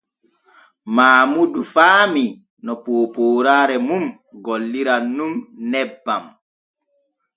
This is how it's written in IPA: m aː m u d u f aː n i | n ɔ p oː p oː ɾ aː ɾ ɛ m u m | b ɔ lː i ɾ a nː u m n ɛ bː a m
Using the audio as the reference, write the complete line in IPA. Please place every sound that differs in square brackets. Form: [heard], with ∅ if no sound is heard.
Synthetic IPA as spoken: m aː m u d u f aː [m] i | n ɔ p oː p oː ɾ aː ɾ ɛ m u m | [ɡ] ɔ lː i ɾ a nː u m n ɛ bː a m